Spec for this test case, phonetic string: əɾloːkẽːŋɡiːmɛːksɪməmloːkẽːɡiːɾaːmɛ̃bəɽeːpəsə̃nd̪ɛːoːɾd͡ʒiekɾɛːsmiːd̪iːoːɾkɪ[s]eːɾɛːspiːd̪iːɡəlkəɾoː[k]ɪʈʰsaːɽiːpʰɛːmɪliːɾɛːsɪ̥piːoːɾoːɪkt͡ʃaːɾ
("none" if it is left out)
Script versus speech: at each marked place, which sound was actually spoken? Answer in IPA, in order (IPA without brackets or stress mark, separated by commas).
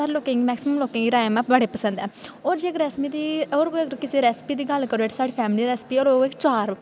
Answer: s, none